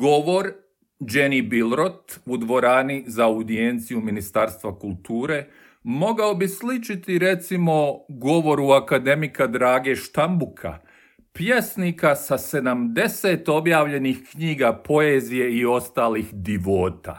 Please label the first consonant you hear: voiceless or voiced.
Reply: voiced